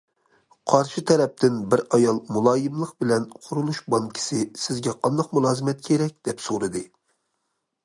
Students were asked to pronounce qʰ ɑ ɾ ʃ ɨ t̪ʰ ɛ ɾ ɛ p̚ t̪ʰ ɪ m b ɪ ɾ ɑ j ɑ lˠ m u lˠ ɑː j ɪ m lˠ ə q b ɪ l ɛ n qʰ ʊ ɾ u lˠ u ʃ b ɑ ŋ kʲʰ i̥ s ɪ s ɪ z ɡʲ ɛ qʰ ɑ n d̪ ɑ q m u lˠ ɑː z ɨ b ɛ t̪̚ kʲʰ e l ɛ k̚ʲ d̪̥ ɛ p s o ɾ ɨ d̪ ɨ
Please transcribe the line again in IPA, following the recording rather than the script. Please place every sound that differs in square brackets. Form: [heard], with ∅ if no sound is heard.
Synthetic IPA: qʰ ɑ ɾ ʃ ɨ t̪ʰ ɛ ɾ ɛ p̚ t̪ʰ ɪ [n] b ɪ ɾ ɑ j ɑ lˠ m u lˠ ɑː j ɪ m lˠ ə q b ɪ l ɛ n qʰ ʊ ɾ u lˠ u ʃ b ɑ ŋ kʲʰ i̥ s ɪ s ɪ z ɡʲ ɛ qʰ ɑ n d̪ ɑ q m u lˠ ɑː z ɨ [m] ɛ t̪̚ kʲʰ e [ɾ] ɛ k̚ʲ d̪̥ ɛ p s o ɾ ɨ d̪ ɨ